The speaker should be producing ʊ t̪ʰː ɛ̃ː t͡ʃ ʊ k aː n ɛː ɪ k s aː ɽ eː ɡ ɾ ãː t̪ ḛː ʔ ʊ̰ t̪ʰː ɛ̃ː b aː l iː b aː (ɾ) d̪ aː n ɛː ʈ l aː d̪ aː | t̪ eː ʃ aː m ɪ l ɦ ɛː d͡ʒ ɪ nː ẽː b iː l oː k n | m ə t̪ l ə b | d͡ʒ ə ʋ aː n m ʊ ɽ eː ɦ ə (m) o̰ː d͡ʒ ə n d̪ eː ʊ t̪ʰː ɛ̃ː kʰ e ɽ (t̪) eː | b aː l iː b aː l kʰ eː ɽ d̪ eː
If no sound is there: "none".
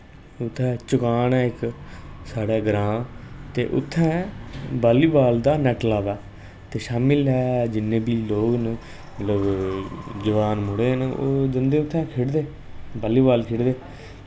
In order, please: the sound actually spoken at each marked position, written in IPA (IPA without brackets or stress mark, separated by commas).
l, n, d̪